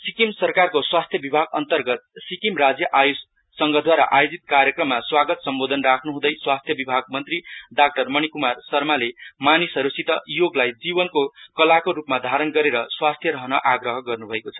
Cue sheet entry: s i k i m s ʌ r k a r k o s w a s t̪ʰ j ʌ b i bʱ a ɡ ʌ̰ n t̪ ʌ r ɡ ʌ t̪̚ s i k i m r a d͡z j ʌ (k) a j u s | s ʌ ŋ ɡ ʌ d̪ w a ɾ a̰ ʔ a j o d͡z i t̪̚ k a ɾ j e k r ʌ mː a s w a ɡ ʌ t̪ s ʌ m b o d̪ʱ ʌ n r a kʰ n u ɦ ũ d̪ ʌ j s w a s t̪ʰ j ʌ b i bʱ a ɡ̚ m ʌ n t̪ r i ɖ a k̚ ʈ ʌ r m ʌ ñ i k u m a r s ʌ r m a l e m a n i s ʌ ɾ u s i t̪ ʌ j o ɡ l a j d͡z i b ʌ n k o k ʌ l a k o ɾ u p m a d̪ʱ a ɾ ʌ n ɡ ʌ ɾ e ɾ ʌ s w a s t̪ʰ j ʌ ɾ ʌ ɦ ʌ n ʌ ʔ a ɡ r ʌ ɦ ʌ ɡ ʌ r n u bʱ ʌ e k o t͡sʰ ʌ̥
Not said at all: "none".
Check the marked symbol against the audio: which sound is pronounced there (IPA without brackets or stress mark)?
ʔ